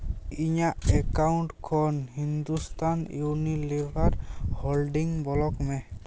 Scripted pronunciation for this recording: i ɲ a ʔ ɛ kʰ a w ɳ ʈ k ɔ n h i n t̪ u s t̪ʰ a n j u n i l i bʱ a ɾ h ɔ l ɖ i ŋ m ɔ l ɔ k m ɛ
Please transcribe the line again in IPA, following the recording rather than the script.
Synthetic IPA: i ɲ a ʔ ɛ k a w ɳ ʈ kʰ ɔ n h i n d̪ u s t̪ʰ a n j u n i l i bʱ a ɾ h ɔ l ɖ i ŋ b ɔ l ɔ k m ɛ